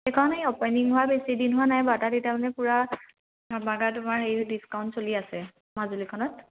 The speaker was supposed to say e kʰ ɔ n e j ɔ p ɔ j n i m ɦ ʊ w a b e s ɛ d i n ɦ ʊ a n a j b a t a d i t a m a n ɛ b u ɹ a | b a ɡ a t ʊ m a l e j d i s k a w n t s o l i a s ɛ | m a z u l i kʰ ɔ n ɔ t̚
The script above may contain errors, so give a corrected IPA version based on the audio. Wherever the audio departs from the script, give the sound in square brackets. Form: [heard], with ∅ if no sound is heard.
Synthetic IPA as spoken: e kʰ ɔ n e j ɔ p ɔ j n i [ŋ] ɦ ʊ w a b e s [i] d i n ɦ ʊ a n a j b a t a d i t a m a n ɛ [p] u ɹ a | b a ɡ a t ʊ m a [ɹ] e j d i s k a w n t s o l i a s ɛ | m a z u l i kʰ ɔ n ɔ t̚